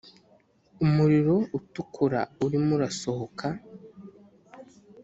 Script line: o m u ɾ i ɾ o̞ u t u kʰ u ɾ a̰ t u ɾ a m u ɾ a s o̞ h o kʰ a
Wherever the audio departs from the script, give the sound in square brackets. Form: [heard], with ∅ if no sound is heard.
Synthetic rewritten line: [u] m u ɾ i ɾ o̞ u t u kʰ u ɾ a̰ [∅] u ɾ [i] m u ɾ a s o̞ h o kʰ a